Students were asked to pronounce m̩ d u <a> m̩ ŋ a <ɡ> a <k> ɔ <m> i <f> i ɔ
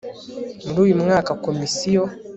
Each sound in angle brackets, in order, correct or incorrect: incorrect: i, incorrect: k, correct, correct, incorrect: s

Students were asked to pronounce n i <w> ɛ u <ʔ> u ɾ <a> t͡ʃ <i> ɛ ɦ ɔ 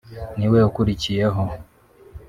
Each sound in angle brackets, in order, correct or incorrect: correct, incorrect: k, incorrect: i, correct

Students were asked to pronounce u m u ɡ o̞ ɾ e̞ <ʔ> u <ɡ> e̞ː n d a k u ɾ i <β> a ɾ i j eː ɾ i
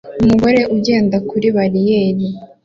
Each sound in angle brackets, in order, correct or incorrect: correct, incorrect: ɟ, correct

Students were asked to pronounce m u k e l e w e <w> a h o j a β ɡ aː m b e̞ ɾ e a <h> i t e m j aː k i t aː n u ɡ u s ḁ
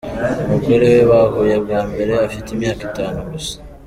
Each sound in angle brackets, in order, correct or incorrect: incorrect: β, incorrect: f

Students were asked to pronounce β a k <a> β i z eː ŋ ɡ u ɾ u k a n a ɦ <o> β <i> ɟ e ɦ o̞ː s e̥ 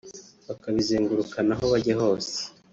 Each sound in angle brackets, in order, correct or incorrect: correct, correct, incorrect: a

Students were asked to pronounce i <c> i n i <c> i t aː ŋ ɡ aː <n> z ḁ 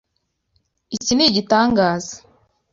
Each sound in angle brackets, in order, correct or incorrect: correct, incorrect: ɟ, incorrect: none

